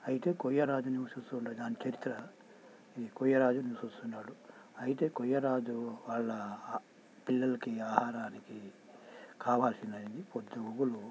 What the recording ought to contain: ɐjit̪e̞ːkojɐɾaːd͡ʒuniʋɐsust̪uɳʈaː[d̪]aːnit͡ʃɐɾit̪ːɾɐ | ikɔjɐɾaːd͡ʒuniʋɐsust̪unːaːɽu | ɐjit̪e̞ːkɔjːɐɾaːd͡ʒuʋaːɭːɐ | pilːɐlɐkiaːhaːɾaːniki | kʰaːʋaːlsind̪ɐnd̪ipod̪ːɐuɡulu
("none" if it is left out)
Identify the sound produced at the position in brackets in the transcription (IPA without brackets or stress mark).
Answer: d̪